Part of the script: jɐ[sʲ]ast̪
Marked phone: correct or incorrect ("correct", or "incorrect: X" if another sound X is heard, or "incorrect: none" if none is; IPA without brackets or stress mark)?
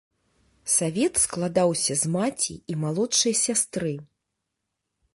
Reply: correct